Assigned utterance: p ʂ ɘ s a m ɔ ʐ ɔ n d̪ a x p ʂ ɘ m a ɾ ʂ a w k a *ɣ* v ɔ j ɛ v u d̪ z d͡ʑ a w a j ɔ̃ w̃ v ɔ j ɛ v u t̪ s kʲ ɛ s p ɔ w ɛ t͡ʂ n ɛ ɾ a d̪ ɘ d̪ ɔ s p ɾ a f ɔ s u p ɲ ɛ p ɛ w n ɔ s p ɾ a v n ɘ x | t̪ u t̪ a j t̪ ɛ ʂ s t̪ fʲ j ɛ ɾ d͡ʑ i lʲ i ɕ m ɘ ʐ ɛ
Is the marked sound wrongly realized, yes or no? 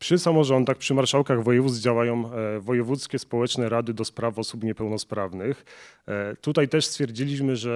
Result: no